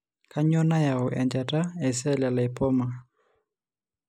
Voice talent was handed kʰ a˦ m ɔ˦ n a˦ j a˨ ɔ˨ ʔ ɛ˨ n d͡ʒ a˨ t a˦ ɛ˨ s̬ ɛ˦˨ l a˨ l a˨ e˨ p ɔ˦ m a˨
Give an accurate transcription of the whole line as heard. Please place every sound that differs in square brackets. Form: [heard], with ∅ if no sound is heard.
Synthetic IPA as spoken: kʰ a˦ [ɲ] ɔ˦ n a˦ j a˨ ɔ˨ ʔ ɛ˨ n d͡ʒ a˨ t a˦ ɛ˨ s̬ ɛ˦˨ l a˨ l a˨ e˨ p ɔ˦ m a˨